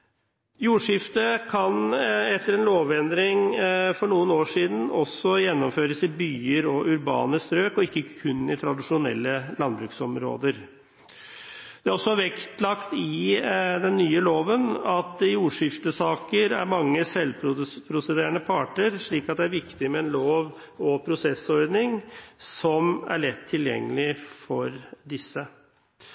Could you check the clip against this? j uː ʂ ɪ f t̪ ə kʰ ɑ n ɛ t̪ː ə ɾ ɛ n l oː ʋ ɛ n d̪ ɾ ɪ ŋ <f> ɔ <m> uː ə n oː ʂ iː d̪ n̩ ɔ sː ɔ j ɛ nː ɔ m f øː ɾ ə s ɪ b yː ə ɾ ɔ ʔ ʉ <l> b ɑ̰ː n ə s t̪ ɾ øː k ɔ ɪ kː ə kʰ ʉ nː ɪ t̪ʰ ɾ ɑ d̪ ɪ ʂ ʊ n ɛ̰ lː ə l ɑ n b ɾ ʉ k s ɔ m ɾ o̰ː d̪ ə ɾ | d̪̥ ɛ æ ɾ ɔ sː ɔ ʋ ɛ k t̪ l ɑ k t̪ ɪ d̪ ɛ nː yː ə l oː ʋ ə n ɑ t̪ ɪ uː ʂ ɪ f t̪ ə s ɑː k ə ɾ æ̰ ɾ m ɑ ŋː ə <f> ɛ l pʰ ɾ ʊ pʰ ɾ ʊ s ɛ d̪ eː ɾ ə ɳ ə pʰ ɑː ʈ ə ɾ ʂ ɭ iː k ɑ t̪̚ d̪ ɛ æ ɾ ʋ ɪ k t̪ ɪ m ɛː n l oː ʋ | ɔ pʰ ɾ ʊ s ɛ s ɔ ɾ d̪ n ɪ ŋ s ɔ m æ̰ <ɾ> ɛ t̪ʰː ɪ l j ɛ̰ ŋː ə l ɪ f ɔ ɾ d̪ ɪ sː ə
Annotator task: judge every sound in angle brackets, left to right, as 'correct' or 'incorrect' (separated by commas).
correct, incorrect, incorrect, incorrect, incorrect